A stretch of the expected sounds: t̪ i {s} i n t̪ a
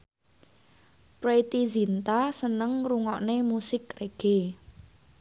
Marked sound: incorrect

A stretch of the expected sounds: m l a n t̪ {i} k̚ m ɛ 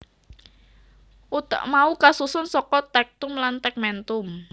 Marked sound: incorrect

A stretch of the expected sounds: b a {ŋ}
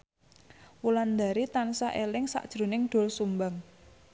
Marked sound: correct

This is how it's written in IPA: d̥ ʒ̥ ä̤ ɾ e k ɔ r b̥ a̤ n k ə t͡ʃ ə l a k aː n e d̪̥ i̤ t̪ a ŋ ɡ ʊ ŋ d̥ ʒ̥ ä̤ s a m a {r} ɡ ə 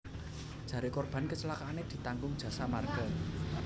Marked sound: correct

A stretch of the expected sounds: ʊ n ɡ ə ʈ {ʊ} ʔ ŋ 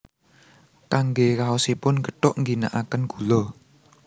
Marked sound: correct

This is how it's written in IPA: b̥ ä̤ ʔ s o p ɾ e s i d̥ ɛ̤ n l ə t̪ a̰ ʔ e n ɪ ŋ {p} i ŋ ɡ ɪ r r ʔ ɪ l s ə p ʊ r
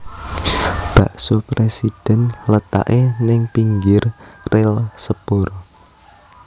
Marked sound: correct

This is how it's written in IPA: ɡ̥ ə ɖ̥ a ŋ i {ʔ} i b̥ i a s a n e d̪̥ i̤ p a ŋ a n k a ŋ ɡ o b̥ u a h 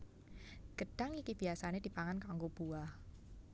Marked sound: incorrect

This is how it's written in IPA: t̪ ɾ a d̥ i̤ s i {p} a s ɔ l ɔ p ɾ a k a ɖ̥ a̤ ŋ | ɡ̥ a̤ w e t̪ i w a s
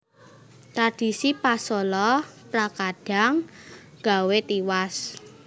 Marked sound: correct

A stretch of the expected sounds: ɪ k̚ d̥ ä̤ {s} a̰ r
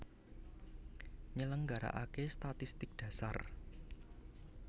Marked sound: correct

